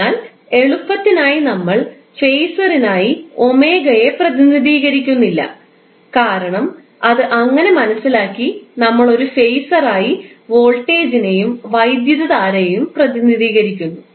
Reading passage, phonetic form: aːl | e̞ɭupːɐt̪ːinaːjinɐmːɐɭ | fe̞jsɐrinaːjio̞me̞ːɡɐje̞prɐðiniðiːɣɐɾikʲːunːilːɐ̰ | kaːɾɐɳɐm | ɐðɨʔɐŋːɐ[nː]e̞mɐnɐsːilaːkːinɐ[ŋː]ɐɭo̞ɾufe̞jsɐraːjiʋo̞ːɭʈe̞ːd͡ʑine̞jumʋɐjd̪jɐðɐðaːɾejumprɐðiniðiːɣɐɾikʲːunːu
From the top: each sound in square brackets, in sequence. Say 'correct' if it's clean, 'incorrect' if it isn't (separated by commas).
incorrect, incorrect